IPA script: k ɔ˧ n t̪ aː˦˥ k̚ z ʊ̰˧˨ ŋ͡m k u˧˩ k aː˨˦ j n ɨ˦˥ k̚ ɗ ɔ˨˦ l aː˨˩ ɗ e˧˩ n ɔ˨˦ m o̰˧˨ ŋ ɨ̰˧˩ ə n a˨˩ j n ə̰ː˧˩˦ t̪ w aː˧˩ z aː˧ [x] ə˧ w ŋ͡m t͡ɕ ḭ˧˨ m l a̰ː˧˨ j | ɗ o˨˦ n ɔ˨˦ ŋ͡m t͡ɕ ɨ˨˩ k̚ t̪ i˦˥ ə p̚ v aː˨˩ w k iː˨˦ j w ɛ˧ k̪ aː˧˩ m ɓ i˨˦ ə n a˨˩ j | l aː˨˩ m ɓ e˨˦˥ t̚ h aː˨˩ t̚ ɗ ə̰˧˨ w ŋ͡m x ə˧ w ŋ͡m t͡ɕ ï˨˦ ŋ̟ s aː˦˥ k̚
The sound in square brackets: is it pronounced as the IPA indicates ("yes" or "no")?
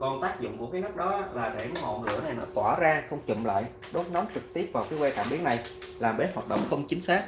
yes